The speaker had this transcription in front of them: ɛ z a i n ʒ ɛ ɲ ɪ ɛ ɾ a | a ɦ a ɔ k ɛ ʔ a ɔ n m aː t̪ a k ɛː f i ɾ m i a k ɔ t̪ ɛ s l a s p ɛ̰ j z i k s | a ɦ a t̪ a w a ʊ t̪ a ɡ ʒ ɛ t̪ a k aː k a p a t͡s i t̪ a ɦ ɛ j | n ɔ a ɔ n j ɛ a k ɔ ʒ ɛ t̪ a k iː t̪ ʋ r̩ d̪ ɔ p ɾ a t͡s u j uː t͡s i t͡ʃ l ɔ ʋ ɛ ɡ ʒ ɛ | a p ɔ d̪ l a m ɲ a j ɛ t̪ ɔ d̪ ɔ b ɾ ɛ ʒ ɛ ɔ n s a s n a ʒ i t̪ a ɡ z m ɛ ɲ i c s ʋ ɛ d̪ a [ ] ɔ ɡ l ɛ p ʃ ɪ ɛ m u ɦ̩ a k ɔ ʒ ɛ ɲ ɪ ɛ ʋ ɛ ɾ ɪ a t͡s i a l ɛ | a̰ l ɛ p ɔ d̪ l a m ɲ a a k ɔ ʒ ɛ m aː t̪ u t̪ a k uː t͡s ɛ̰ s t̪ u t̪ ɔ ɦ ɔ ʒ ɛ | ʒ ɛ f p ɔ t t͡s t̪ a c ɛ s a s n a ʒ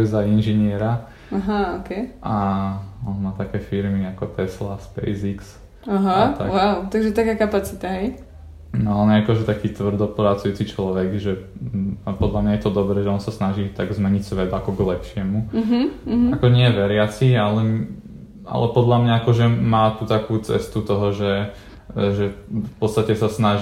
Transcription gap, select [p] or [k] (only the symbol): k